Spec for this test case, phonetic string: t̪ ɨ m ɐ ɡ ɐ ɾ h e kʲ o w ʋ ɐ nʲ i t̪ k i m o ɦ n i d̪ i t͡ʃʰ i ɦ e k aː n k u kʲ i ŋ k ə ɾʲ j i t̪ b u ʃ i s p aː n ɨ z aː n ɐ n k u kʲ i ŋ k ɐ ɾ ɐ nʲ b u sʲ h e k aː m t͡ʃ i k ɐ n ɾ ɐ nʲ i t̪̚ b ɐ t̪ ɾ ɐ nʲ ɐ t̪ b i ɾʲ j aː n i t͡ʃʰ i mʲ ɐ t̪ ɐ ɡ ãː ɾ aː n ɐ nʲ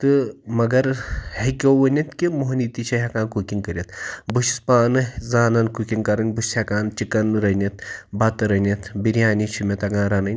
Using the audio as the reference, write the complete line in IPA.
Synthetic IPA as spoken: t̪ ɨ m ɐ ɡ ɐ ɾ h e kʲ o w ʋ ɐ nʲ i t̪ k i m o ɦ n i t̪ i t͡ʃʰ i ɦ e k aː n k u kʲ i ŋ k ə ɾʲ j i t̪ b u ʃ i s p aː n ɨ z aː n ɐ n k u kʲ i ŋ k ɐ ɾ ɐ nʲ b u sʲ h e k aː n t͡ʃ i k ɐ n ɾ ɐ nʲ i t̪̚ b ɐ t̪ ɾ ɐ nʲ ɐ t̪ b i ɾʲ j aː n i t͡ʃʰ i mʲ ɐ t̪ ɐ ɡ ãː ɾ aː n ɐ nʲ